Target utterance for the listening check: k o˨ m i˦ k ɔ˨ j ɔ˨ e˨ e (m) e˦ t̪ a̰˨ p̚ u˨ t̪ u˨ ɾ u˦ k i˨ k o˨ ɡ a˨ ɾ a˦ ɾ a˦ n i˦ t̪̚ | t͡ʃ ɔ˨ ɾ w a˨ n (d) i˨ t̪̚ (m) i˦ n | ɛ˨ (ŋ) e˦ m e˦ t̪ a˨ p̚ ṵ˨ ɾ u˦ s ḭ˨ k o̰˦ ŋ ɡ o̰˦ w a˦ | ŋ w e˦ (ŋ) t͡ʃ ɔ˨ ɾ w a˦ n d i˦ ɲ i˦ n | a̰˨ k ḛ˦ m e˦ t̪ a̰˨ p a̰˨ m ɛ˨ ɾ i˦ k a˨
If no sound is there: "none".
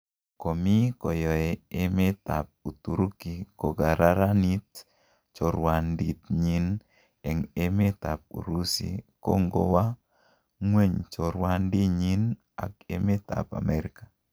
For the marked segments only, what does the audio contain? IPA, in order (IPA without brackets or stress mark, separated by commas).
m, d, ɲ, ŋ, ɲ